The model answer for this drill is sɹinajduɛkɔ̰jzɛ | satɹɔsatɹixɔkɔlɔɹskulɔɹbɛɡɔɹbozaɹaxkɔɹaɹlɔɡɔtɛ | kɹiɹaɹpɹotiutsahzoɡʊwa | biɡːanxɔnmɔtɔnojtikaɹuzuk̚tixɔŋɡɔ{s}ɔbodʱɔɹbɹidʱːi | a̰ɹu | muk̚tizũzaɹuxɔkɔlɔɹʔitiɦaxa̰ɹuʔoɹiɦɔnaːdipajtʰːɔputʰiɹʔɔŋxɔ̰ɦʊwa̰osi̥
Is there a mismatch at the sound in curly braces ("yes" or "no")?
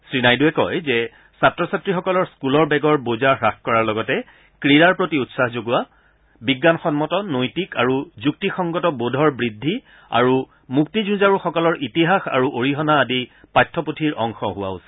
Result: yes